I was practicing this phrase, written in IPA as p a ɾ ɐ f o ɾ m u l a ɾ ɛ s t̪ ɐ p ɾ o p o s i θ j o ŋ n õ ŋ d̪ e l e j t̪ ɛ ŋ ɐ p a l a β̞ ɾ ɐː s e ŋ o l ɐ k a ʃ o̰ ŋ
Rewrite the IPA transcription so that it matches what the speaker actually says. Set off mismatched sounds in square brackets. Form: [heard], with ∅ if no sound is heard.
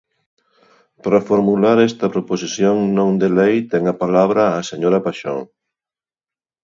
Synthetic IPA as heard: p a ɾ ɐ f o ɾ m u l a ɾ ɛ s t̪ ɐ p ɾ o p o s i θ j o ŋ n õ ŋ d̪ e l e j t̪ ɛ ŋ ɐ p a l a β̞ ɾ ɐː s e [ɲ] o [ɾ] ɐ [p] a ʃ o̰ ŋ